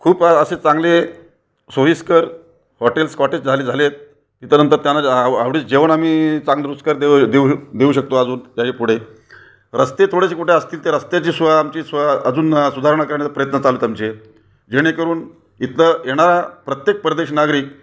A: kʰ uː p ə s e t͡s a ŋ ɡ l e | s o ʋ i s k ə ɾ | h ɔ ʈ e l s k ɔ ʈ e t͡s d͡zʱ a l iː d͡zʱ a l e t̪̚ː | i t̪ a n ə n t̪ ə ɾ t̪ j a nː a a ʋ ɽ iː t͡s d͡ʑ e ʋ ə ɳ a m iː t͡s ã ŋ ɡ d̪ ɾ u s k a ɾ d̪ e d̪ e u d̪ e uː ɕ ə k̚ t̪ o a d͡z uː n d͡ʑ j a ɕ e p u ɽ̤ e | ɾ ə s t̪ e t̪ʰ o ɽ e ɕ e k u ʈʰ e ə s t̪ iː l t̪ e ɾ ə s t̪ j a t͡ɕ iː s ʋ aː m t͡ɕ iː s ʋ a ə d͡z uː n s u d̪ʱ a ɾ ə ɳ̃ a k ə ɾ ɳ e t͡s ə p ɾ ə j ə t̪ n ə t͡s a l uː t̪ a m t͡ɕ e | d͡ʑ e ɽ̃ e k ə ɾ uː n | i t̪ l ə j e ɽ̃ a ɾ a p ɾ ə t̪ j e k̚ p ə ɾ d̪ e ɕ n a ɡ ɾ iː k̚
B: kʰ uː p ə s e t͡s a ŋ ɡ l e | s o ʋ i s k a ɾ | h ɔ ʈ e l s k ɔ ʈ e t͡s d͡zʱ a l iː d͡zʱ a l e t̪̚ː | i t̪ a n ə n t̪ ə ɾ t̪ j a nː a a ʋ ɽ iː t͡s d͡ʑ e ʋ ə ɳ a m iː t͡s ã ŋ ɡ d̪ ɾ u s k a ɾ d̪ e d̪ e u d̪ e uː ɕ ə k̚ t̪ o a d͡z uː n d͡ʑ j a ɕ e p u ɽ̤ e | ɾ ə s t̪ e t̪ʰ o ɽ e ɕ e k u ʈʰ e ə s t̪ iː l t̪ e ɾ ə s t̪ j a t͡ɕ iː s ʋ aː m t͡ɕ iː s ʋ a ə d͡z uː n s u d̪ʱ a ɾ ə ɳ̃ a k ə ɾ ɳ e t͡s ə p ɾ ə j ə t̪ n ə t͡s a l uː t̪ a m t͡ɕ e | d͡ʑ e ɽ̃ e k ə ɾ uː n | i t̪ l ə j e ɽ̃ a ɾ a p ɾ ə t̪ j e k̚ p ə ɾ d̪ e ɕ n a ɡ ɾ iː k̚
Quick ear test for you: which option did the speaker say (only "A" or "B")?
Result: A